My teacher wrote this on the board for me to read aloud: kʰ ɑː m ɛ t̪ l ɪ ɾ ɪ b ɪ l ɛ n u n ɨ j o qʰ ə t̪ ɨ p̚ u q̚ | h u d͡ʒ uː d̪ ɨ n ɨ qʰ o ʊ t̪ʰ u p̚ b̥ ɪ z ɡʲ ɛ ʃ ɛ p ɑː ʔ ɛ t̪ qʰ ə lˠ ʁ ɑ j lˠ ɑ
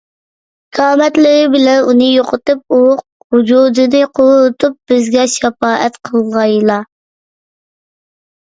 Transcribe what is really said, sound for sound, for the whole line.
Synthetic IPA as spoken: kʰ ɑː m ɛ t̪ l ɪ ɾ ɪ b ɪ l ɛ n u n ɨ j o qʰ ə t̪ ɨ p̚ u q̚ | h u d͡ʒ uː d̪ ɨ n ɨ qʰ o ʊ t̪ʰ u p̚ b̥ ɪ z ɡʲ ɛ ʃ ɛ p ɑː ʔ ɛ t̪ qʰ ə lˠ ʁ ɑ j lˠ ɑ

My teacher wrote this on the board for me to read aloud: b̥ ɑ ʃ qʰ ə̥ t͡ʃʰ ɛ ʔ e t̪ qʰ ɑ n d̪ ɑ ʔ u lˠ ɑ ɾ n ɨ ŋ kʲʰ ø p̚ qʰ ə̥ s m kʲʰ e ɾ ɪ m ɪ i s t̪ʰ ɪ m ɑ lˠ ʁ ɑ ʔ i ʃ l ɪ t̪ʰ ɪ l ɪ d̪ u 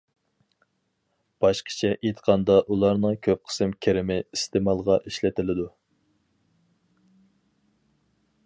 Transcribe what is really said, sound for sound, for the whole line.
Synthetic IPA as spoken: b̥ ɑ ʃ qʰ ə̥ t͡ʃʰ ɛ ʔ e t̪ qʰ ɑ n d̪ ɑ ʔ u lˠ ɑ ɾ n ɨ ŋ kʲʰ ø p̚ qʰ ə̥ s m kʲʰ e ɾ ɪ m ɪ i s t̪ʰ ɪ m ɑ lˠ ʁ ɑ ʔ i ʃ l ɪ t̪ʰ ɪ l ɪ d̪ u

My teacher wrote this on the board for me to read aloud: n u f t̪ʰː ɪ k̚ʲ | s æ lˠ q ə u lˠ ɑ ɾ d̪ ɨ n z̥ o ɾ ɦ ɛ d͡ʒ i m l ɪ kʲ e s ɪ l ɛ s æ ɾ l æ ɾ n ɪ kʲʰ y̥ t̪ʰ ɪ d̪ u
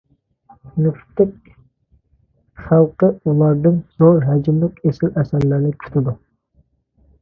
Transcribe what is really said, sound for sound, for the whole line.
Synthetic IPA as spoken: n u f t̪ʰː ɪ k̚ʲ | χ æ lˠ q ə u lˠ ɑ ɾ d̪ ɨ n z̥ o ɾ ɦ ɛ d͡ʒ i m l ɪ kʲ e s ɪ l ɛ s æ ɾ l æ ɾ n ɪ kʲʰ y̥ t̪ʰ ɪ d̪ u

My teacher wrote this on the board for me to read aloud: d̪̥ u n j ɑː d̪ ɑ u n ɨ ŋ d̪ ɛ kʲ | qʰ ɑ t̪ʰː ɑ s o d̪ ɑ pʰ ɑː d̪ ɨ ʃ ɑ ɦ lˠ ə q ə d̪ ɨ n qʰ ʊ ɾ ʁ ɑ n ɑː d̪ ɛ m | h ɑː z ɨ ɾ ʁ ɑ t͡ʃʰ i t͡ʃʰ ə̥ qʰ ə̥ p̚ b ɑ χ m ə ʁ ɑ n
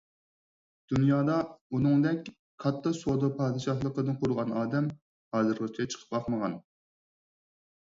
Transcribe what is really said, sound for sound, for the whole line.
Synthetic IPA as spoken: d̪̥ u n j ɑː d̪ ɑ u n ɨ ŋ d̪ ɛ kʲ | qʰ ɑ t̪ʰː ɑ s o d̪ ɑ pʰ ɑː d̪ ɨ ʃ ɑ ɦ lˠ ə q ə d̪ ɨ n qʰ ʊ ɾ ʁ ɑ n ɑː d̪ ɛ m | h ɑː z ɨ ɾ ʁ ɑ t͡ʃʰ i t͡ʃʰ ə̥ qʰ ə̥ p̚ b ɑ χ m ə ʁ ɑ n

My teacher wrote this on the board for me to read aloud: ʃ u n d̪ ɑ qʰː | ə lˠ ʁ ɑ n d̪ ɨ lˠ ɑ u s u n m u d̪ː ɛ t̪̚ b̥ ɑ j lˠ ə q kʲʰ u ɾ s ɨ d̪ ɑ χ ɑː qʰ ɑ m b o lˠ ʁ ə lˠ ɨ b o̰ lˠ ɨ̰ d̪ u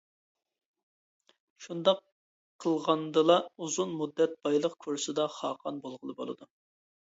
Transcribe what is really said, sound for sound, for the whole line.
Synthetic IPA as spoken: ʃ u n d̪ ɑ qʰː | ə lˠ ʁ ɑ n d̪ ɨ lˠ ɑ u z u n m u d̪ː ɛ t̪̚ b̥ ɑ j lˠ ə q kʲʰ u ɾ s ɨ d̪ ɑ χ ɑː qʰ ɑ n b o lˠ ʁ ə lˠ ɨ b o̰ lˠ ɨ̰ d̪ u

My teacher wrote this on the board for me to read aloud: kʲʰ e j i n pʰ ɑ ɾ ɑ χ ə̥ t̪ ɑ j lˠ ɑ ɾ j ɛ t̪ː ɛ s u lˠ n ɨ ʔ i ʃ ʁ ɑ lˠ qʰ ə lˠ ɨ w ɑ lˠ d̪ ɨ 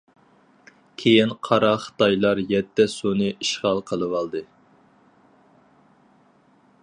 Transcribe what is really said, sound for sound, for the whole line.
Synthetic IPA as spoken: kʲʰ e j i n qʰ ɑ ɾ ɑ χ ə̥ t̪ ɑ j lˠ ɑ ɾ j ɛ t̪ː ɛ s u n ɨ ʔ i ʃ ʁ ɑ lˠ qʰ ə lˠ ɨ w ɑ lˠ d̪ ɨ

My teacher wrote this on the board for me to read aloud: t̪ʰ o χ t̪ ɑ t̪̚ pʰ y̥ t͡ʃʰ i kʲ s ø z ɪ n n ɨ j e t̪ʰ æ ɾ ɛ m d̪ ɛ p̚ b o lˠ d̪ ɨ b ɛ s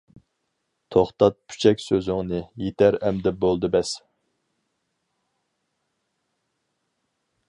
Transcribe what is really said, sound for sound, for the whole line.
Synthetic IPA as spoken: t̪ʰ o χ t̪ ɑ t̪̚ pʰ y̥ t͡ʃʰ ɛ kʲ s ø z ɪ ŋ n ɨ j e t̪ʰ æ ɾ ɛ m d̪ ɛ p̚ b o lˠ d̪ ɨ b ɛ s

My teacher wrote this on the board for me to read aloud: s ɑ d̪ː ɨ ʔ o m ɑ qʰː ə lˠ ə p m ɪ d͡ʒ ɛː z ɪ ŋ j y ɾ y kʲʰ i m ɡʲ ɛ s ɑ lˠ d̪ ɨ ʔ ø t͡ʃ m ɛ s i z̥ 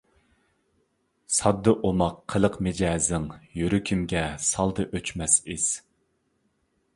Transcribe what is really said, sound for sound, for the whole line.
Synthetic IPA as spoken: s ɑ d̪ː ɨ ʔ o m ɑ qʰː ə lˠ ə q m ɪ d͡ʒ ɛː z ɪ ŋ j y ɾ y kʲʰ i m ɡʲ ɛ s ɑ lˠ d̪ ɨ ʔ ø t͡ʃ m ɛ s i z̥

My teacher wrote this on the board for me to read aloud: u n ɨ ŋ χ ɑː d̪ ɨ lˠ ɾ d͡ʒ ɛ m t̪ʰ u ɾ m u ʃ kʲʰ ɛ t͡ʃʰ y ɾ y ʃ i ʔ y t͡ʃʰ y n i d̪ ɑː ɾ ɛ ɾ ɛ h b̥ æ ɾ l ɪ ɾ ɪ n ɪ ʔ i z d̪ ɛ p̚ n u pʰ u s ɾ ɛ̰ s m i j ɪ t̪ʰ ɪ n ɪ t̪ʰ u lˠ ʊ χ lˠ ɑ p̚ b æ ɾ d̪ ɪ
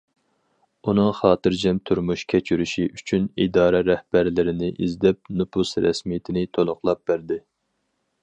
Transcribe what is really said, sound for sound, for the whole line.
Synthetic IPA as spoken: u n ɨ ŋ χ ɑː t̪ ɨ ɾ d͡ʒ ɛ m t̪ʰ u ɾ m u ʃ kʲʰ ɛ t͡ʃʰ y ɾ y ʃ i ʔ y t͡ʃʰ y n i d̪ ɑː ɾ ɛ ɾ ɛ h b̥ æ ɾ l ɪ ɾ ɪ n ɪ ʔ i z d̪ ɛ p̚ n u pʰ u s ɾ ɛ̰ s m i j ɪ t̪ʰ ɪ n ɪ t̪ʰ o lˠ ʊ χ lˠ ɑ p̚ b æ ɾ d̪ ɪ

